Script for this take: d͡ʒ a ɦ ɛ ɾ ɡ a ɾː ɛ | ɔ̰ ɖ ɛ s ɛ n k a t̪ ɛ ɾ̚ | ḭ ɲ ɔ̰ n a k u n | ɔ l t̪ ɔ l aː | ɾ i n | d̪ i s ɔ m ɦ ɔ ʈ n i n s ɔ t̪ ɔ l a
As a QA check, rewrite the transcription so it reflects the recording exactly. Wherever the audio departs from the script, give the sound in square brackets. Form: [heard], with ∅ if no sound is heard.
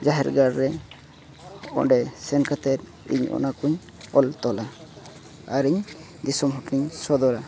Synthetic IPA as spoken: d͡ʒ a ɦ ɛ ɾ ɡ a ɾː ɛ | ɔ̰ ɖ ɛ s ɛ n k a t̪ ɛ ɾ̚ | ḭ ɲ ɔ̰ n a k u [ɲ] | ɔ l t̪ ɔ l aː | ɾ i [ɲ] | d̪ i s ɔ m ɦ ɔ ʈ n i [ɲ] s ɔ [d̪] ɔ [ɾ] a